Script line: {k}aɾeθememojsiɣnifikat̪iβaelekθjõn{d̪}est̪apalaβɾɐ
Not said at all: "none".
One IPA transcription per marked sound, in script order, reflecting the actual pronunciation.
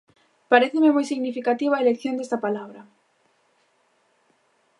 p, d̪

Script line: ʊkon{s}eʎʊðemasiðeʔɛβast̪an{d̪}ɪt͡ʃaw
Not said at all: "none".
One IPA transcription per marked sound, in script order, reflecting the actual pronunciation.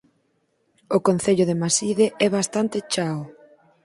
θ, t̪

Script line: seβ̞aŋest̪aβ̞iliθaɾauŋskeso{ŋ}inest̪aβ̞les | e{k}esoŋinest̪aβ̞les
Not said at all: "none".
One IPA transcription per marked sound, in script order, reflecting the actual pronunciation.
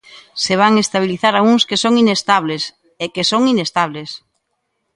ŋ, k

